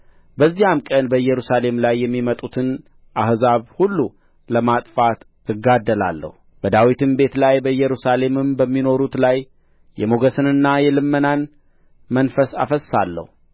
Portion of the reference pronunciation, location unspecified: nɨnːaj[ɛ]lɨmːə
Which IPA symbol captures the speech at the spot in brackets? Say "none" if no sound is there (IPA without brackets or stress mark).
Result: ɛ